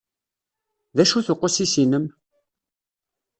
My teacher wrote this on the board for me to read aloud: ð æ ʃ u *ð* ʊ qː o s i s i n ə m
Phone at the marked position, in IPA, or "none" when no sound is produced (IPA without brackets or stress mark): θ